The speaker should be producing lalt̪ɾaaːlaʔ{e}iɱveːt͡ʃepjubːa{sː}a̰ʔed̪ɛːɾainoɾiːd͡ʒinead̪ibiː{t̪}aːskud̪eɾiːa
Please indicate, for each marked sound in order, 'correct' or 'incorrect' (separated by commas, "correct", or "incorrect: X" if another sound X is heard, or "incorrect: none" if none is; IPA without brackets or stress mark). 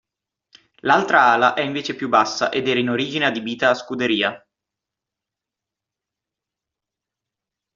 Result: incorrect: ɛ, correct, correct